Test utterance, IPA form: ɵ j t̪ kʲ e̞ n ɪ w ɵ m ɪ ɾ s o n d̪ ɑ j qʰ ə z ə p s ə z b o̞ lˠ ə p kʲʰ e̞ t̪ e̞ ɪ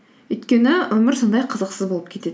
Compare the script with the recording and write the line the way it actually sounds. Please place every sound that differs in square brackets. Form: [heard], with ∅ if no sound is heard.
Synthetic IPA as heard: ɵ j t̪ kʲ e̞ n ɪ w ɵ m ɪ ɾ s o n d̪ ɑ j qʰ ə z ə [q] s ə z b o̞ lˠ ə p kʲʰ e̞ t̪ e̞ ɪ